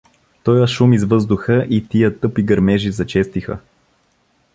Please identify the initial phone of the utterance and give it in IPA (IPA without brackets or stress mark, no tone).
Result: t̪